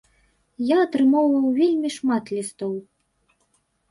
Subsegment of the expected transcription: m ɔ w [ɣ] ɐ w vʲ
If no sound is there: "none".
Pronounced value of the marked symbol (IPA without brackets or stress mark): v